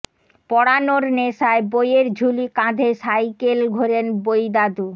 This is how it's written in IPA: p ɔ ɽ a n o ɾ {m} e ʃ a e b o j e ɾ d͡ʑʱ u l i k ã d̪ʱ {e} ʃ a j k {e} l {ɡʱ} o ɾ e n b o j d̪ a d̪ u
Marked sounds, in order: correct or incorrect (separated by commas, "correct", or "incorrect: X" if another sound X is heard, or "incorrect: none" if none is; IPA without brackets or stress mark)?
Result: incorrect: n, correct, correct, correct